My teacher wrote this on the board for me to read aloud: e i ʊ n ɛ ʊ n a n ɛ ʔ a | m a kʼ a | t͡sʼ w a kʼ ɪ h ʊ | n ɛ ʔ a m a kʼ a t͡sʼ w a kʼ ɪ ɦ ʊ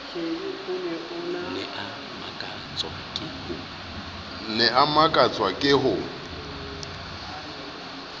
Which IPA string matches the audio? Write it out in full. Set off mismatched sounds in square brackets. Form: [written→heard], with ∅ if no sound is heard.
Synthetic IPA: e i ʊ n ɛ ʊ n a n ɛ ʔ a | m a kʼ a | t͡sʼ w a kʼ ɪ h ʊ | n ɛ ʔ a m a kʼ a t͡sʼ w a kʼ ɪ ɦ ʊ